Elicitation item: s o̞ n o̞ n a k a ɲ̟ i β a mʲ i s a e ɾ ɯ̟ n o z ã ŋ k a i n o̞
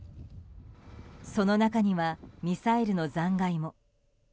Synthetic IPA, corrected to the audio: s o̞ n o̞ n a k a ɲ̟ i β a mʲ i s a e ɾ ɯ̟ n o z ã ŋ ɡ a i m o̞